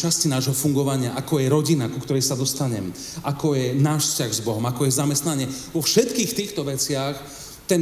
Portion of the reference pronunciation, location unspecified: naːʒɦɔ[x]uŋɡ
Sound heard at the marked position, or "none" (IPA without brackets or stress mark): f